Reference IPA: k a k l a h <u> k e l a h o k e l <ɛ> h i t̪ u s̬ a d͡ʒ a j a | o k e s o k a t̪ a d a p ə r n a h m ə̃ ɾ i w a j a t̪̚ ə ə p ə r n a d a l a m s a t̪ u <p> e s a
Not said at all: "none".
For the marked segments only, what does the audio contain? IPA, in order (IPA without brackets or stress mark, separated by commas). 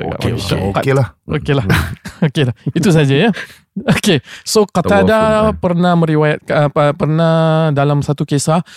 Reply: o, a, k